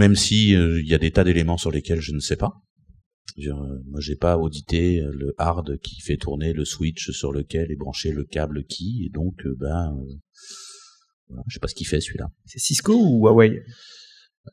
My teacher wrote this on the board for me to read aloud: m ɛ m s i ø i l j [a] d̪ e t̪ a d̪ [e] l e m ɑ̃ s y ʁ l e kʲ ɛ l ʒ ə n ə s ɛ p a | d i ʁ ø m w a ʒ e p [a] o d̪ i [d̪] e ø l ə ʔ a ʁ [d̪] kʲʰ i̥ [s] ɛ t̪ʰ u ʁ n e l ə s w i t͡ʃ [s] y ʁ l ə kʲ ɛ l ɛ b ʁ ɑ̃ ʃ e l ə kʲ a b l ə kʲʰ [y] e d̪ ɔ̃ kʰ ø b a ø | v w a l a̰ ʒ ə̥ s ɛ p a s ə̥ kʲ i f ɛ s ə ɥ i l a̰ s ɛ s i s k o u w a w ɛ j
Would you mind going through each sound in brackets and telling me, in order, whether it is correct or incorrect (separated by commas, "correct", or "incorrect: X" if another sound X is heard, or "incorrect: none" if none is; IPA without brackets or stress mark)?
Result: correct, correct, correct, incorrect: t̪, correct, incorrect: f, correct, incorrect: i